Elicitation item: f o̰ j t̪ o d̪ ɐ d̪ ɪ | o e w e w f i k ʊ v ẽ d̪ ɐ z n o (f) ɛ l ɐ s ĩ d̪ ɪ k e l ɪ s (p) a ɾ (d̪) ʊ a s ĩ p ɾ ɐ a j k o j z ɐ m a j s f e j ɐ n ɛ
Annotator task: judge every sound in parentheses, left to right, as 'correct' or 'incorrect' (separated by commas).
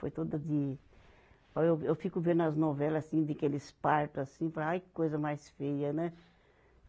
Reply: incorrect, correct, incorrect